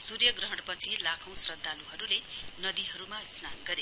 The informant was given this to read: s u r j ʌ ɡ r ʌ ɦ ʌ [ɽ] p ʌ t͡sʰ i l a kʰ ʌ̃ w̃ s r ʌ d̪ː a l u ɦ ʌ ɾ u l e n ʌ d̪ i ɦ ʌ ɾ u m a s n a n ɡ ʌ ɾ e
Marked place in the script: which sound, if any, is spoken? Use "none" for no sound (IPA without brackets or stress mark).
ɽ